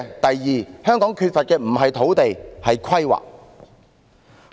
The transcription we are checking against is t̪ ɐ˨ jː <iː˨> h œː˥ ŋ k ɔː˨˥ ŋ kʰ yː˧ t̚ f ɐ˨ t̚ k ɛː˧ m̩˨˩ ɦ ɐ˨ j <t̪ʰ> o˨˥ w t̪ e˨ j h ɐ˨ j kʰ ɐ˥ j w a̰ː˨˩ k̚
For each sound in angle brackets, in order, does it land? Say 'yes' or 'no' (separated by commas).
yes, yes